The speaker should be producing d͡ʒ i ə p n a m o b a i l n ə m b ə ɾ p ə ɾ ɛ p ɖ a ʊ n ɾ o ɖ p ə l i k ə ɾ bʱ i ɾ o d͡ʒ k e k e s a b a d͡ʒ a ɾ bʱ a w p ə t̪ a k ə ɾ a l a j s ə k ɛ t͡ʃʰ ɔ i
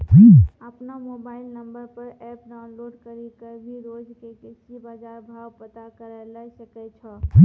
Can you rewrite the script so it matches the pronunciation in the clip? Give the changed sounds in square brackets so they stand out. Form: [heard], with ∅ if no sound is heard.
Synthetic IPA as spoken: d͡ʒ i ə p n a m o b a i l n ə m b ə ɾ p ə ɾ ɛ p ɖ a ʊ n [l] o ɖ [k] ə [ɾ] i k ə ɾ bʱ i ɾ o d͡ʒ k e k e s [i] b a d͡ʒ a ɾ bʱ a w p ə t̪ a k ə ɾ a l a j s ə k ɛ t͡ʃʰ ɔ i